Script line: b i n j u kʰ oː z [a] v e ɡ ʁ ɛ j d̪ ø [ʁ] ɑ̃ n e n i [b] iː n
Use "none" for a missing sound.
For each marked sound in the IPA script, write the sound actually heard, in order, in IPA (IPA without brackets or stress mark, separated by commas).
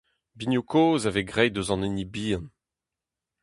a, z, b